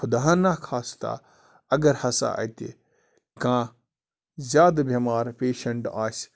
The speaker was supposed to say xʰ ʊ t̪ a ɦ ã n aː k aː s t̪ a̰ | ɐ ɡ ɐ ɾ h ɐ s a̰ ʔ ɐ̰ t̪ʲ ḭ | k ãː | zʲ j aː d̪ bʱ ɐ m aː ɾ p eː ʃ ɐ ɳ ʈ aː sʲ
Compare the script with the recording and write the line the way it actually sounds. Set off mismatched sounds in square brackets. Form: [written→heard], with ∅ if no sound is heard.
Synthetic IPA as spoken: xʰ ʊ [t̪→d̪] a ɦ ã n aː [k→kʰ] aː s t̪ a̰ | ɐ ɡ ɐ ɾ h ɐ s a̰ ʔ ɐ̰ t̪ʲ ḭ | k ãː | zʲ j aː d̪ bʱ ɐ m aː ɾ p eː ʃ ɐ ɳ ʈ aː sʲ

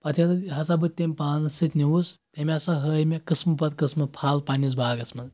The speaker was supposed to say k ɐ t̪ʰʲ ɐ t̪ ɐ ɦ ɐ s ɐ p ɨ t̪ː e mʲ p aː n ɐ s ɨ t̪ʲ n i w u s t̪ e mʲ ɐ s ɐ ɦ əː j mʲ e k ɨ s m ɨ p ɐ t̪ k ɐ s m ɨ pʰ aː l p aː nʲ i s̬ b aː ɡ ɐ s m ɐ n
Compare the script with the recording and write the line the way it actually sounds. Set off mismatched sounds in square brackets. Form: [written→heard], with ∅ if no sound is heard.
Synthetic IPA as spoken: [k→p] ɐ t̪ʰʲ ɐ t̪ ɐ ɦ ɐ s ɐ [p→b] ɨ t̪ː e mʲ p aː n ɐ s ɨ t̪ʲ n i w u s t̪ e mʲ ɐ s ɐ ɦ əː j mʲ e k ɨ s m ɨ p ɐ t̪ k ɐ s m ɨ pʰ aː l p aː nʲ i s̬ b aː ɡ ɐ s m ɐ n

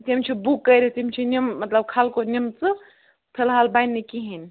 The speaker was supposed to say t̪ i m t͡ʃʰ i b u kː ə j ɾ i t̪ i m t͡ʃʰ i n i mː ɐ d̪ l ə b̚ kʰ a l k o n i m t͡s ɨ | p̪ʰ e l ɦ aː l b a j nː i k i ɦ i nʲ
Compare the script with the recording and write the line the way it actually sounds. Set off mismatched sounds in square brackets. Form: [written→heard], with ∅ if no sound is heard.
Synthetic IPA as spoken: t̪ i m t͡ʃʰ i b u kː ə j ɾ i t̪ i m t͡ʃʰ i n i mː ɐ [d̪→t̪] l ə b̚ kʰ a l k o n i m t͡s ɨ | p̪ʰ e l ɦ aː l b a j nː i k i ɦ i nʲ

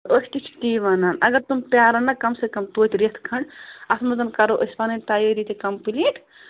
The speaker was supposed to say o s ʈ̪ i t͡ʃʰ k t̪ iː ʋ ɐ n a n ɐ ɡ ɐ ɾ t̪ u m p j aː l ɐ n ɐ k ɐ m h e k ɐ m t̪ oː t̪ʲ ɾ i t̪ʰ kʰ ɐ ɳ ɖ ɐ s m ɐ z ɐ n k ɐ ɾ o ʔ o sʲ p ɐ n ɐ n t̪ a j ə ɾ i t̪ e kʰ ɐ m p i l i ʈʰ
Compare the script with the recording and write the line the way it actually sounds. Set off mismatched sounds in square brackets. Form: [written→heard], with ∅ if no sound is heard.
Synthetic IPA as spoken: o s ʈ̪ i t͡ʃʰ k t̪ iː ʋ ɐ n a n ɐ ɡ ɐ ɾ t̪ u m p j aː [l→ɾ] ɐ n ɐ k ɐ m [h→s] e k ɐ m t̪ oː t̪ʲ ɾ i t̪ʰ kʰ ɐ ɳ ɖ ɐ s m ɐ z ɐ n k ɐ ɾ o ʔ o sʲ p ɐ n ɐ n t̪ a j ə ɾ i t̪ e [kʰ→k] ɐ m p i l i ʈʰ

